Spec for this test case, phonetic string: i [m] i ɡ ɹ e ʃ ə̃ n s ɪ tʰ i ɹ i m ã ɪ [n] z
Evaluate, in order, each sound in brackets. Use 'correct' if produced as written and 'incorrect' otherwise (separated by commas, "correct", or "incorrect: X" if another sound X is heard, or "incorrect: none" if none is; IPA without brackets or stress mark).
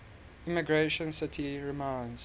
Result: correct, correct